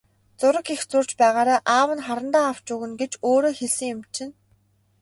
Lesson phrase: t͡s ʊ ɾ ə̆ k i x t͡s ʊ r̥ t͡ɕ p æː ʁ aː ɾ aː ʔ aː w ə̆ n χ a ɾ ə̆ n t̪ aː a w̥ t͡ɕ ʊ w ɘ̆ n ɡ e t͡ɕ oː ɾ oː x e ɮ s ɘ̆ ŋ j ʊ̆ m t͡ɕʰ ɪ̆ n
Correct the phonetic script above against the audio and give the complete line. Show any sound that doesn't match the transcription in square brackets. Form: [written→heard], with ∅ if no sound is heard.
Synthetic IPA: t͡s ʊ ɾ ə̆ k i x t͡s ʊ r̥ t͡ɕ p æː ʁ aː ɾ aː ʔ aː w ə̆ n χ a ɾ ə̆ n t̪ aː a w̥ t͡ɕ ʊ [w→ɣ] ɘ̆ n ɡ e t͡ɕ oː ɾ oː x e ɮ s ɘ̆ ŋ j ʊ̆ m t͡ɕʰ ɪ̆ n